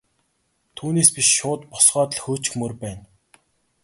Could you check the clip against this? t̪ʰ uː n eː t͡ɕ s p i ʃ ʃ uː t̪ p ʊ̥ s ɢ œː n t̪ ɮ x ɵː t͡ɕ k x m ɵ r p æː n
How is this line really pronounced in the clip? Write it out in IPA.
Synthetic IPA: t̪ʰ uː n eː s p i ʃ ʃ ʊː t̪ p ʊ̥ s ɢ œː t̪ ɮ x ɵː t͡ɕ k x m ɵ r p æː n